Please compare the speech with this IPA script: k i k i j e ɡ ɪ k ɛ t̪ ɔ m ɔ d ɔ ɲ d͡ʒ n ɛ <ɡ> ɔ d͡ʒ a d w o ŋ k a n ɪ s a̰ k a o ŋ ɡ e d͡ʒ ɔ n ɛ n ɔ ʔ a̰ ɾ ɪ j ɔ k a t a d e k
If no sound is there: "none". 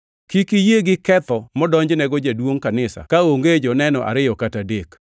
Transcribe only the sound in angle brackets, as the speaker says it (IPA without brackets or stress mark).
ɡ